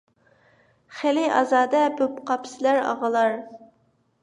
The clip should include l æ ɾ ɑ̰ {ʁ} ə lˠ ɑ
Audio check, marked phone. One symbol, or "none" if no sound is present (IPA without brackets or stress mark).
ʁ